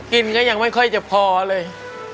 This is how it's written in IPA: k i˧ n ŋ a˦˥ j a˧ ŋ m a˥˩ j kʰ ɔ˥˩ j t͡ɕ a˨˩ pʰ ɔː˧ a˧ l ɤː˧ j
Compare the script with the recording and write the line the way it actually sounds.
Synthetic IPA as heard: k i˧ n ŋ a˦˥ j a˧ ŋ m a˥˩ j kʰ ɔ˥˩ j t͡ɕ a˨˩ pʰ ɔː˧ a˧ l ɤː˧ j